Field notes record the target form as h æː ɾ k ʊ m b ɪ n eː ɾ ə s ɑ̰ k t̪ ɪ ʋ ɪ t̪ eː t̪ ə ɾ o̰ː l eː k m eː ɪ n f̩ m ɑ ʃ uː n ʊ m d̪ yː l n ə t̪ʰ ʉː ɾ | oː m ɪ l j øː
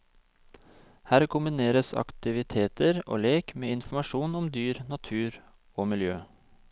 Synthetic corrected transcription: h æː ɾ k ʊ m b ɪ n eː ɾ ə s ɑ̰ k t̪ ɪ ʋ ɪ t̪ʰ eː t̪ ə ɾ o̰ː l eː k m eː ɪ n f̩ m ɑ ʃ uː n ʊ m d̪ yː ɾ n ɑ t̪ʰ ʉː ɾ | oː m ɪ l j øː